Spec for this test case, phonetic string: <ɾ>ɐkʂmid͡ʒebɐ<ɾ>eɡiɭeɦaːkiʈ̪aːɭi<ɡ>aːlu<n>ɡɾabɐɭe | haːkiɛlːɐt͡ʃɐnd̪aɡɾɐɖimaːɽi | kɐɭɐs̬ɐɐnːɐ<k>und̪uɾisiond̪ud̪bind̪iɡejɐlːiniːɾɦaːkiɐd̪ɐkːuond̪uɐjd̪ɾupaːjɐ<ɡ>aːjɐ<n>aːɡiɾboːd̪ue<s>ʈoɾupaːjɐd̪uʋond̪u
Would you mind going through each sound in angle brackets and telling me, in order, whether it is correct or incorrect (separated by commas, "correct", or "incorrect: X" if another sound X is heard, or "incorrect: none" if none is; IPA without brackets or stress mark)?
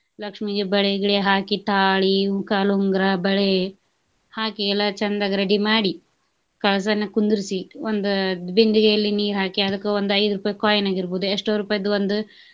incorrect: l, incorrect: ɭ, incorrect: k, incorrect: ŋ, correct, incorrect: k, correct, incorrect: ʂ